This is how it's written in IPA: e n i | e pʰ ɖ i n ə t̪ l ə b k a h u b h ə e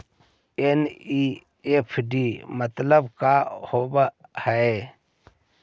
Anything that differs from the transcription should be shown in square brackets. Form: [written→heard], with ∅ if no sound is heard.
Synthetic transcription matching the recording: e n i | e pʰ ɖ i [n→m] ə t̪ l ə b k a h [u→o] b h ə e